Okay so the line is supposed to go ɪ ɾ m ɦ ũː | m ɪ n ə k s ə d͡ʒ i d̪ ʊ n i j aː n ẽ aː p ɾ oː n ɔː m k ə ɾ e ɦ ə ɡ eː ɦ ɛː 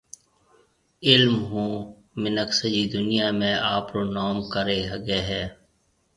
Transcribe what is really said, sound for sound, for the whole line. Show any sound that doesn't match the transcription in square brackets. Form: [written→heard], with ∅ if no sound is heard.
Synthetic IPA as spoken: ɪ [ɾ→l] m ɦ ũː | m ɪ n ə k s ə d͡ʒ i d̪ ʊ n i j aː [n→m] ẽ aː p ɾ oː n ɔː m k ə ɾ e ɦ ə ɡ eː ɦ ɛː